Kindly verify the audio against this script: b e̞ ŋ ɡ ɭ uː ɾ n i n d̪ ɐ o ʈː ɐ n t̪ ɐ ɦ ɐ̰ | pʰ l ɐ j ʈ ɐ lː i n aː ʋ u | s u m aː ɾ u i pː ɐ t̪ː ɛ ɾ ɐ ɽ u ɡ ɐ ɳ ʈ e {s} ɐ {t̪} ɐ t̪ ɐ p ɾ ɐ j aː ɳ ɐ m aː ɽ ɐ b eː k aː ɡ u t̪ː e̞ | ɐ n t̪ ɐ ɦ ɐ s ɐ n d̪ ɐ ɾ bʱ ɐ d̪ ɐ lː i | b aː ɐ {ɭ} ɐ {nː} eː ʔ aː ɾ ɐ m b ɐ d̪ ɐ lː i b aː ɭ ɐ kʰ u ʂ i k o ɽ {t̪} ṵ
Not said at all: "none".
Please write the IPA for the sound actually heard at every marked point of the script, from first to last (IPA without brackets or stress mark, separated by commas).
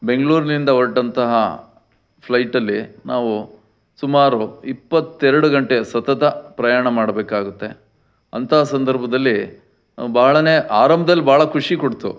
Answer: s, t̪, ɭ, n, t̪